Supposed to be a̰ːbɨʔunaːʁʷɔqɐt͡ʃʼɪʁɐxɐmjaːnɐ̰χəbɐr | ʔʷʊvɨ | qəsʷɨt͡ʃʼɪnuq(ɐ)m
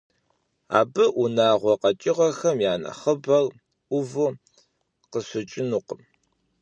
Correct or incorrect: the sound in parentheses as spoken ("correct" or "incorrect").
incorrect